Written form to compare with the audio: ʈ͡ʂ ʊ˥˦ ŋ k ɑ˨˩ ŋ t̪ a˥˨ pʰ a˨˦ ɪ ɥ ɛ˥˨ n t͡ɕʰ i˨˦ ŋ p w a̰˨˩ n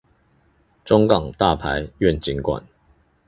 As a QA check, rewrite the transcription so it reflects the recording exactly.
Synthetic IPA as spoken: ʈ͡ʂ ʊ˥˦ ŋ k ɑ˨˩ ŋ t̪ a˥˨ pʰ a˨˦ ɪ ɥ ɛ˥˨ n t͡ɕ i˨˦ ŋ k w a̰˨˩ n

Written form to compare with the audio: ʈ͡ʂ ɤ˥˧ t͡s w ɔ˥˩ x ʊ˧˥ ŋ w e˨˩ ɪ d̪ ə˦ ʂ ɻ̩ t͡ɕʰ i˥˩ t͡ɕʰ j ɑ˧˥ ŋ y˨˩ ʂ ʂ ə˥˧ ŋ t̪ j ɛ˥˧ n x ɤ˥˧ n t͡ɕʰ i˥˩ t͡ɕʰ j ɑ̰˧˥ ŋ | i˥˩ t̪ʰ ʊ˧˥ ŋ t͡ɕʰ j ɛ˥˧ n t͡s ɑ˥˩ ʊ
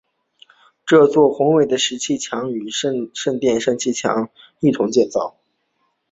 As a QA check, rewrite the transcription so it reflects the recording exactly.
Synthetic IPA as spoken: ʈ͡ʂ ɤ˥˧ t͡s w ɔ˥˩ x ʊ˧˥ ŋ w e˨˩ ɪ d̪ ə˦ ʂ ɻ̩ t͡ɕʰ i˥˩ t͡ɕʰ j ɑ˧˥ ŋ y˨˩ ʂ ʂ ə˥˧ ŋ t̪ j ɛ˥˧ n ʂ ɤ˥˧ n t͡ɕʰ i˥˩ t͡ɕʰ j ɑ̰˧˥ ŋ | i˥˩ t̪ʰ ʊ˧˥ ŋ t͡ɕ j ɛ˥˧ n t͡s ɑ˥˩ ʊ

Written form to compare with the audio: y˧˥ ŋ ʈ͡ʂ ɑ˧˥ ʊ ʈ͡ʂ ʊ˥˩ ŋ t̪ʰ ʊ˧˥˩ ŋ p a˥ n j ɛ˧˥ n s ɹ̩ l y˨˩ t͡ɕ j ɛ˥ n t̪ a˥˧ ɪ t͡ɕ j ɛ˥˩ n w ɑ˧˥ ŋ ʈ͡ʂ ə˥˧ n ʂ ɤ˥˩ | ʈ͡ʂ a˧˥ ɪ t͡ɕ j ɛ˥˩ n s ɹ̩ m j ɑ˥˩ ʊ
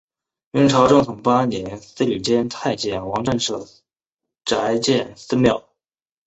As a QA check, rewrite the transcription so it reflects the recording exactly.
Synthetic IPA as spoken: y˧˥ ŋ ʈ͡ʂʰ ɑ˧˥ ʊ ʈ͡ʂ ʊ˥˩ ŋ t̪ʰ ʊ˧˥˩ ŋ p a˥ n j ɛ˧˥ n s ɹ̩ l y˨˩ t͡ɕ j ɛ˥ n t̪ʰ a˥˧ ɪ t͡ɕ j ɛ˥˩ n w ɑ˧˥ ŋ ʈ͡ʂ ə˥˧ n ʂ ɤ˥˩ | ʈ͡ʂ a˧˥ ɪ t͡ɕ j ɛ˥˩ n s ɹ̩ m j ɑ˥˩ ʊ

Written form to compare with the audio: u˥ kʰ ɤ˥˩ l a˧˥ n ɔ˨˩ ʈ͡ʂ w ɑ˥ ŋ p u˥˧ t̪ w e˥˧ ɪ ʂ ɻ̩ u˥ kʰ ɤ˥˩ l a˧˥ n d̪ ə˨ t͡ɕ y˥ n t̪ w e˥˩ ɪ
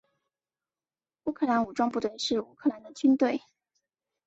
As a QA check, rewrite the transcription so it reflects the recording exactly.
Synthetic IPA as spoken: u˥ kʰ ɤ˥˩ l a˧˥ n u˨˩ ʈ͡ʂ w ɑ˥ ŋ p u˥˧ t̪ w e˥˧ ɪ ʂ ɻ̩ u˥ kʰ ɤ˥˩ l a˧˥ n d̪ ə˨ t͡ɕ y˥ n t̪ w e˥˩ ɪ

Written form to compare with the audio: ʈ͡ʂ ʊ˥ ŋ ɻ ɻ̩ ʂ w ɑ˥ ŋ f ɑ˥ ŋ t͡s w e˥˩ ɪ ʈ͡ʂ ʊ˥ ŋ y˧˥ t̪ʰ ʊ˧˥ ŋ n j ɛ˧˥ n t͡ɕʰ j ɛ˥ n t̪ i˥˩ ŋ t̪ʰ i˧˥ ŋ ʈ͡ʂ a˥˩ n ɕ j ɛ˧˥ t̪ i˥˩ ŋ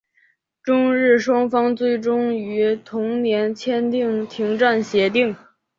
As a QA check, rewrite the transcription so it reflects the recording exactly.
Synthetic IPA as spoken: ʈ͡ʂ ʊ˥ ŋ ɻ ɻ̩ ʂ w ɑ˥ ŋ f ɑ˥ ŋ t͡s w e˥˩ ɪ ʈ͡ʂ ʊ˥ ŋ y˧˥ t̪ʰ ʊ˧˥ ŋ n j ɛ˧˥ n t͡ɕʰ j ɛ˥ n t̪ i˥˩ ŋ t̪ʰ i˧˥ ŋ ʈ͡ʂ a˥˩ n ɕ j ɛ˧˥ t̪ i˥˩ ŋ

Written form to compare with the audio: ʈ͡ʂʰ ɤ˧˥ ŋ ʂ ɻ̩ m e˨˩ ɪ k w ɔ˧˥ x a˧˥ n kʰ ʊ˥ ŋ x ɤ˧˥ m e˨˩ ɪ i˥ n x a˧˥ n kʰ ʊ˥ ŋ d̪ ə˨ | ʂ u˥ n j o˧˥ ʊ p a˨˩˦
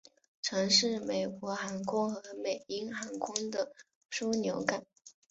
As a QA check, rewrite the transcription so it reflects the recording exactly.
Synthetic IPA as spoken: ʈ͡ʂʰ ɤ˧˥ ŋ ʂ ɻ̩ m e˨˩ ɪ k w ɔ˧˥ x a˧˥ n kʰ ʊ˥ ŋ x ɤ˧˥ m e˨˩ ɪ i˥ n x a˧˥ n kʰ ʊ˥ ŋ d̪ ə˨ | ʂ u˥ n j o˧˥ ʊ k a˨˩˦

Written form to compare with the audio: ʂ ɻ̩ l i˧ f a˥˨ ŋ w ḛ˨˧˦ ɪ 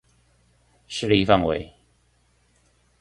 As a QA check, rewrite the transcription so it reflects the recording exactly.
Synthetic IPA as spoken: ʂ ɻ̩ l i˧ f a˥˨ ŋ w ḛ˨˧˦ ɪ

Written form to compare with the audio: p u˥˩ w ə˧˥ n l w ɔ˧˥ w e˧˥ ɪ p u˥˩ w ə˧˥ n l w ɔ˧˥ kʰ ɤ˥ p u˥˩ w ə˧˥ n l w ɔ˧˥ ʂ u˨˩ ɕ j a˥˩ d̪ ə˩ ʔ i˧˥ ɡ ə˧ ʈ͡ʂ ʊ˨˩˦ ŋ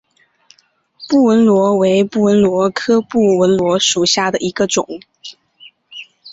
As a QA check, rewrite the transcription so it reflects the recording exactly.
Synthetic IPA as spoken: p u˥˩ w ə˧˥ n l w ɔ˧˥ w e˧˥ ɪ p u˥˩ w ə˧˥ n l w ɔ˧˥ kʰ ɤ˥ p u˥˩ w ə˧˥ n l w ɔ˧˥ ʂ u˨˩ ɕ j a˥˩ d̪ ə˩ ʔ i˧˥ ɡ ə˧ ʈ͡ʂ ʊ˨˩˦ ŋ

